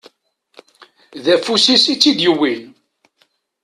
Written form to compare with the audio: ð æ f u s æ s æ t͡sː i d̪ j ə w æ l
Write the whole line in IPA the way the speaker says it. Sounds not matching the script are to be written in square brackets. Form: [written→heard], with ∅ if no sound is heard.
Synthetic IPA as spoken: ð æ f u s [æ→i] s [æ→i] t͡sː i d̪ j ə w [æ→i] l

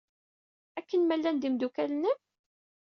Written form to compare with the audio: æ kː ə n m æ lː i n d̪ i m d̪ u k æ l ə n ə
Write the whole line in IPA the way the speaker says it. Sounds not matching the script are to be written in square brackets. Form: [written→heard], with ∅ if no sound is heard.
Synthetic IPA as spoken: æ kː ə n m æ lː [i→æ] n d̪ i m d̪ u k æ l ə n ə

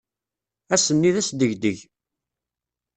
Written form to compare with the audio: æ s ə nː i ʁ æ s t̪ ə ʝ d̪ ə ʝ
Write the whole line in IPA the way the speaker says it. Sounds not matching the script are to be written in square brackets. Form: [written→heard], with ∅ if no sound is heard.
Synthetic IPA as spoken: æ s ə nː i [ʁ→ð] æ s [t̪→d̪] ə ʝ d̪ ə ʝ

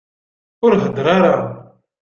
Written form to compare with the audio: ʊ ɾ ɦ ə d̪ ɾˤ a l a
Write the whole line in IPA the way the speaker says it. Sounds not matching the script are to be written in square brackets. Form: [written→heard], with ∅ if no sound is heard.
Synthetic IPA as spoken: ʊ ɾ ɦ ə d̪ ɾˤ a [l→ɾ] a

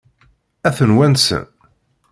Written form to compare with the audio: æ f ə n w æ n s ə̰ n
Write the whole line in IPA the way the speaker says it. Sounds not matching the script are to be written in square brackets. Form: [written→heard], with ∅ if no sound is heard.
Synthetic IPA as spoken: æ [f→θ] ə n w æ n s ə̰ n

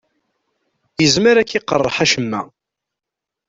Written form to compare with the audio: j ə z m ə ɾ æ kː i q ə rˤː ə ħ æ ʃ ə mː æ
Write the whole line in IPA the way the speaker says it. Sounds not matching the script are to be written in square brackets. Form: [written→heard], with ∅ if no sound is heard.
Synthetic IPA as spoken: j ə z m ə ɾ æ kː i q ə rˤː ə ħ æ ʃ ə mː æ

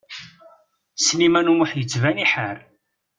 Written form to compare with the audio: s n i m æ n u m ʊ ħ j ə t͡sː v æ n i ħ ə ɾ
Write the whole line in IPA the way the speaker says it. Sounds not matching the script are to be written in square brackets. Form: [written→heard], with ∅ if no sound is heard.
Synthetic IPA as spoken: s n i m æ n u m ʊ ħ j ə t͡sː v æ n i ħ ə ɾ

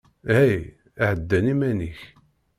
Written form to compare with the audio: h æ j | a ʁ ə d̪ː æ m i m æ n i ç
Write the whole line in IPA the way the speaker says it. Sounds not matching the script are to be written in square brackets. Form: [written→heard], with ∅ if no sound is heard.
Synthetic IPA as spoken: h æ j | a [ʁ→ʕ] ə d̪ː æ [m→n] i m æ n i ç

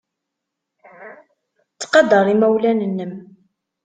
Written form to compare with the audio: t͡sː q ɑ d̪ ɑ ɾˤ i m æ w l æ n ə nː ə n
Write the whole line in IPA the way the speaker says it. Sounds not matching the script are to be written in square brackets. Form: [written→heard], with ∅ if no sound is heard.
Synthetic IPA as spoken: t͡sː q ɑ d̪ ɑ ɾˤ i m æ w l æ n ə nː ə [n→m]

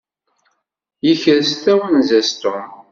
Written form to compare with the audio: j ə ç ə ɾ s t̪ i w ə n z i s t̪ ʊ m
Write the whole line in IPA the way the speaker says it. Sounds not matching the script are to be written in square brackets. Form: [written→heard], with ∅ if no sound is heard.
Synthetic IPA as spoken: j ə ç ə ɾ s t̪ [i→æ] w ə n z [i→æ] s t̪ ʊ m

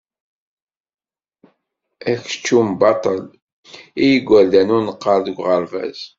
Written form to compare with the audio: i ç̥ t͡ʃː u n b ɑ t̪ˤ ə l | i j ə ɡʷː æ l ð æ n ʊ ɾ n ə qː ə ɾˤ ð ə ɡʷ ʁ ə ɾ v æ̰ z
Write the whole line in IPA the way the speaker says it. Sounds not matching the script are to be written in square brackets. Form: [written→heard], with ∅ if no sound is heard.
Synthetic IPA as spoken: [i→æ] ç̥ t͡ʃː u [n→m] b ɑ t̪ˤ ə l | i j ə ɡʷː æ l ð æ n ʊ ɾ n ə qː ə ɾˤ ð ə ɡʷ ʁ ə ɾ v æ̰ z

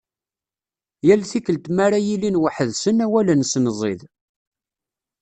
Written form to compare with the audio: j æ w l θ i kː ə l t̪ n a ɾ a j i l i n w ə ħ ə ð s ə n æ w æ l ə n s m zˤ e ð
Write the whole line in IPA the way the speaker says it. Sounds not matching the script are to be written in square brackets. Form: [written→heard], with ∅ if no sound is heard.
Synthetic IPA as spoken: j æ [w→∅] l θ i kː ə l t̪ [n→m] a ɾ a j i l i n w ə ħ ə ð s ə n æ w æ l ə n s [m→n] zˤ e ð

